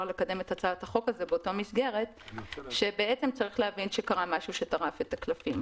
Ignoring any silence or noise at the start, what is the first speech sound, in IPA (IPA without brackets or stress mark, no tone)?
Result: l